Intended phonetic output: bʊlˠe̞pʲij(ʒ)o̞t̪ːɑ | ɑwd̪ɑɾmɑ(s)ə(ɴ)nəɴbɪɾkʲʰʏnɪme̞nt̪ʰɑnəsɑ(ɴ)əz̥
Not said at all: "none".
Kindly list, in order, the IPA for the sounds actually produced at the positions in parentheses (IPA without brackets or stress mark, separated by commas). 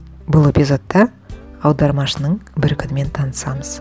z, ʃ, none, m